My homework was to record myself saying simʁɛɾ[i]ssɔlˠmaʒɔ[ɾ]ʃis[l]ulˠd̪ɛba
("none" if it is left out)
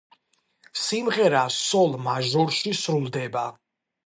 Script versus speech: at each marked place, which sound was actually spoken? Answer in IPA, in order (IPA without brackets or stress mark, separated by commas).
a, ɾ, ɾ